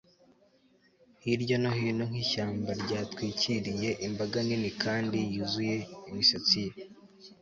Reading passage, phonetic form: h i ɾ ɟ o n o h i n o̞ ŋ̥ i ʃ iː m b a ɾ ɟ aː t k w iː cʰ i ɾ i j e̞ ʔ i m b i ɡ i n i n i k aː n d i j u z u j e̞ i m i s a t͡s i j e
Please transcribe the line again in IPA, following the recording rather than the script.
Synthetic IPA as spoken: h i ɾ ɟ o n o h i n o̞ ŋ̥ i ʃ aː m b a ɾ ɟ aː t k w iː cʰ i ɾ i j e̞ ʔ i m b a ɡ a n i n i k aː n d i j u z u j e̞ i m i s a t͡s i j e